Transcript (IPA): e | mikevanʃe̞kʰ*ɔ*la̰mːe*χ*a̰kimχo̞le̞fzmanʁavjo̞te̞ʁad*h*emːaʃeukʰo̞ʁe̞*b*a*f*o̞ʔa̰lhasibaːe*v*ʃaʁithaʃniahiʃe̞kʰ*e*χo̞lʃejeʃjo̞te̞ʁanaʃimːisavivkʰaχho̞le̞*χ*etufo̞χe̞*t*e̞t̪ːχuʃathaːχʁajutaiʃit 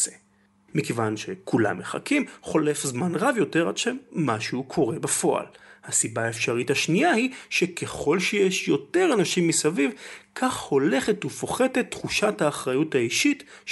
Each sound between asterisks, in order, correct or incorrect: incorrect: u, correct, incorrect: ʃ, correct, correct, incorrect: f, correct, correct, correct

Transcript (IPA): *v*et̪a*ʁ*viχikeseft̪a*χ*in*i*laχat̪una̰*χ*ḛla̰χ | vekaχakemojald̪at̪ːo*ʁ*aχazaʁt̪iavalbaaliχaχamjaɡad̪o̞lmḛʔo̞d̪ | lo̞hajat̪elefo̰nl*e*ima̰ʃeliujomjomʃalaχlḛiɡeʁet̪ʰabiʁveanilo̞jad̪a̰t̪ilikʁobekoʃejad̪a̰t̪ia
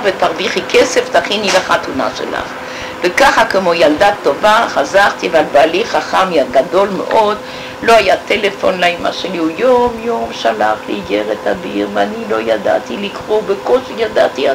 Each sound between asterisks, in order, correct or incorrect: correct, correct, correct, correct, incorrect: ʃ, incorrect: v, incorrect: a

